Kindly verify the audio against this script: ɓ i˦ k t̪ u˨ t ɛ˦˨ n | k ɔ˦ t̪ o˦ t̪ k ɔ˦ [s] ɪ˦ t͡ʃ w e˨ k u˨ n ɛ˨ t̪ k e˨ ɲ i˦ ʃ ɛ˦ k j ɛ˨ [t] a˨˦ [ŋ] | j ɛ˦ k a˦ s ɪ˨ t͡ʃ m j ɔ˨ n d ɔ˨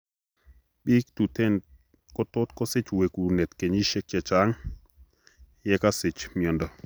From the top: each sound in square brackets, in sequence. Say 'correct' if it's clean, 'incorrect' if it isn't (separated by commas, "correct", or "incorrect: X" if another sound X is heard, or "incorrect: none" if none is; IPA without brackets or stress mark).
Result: correct, incorrect: t͡ʃ, correct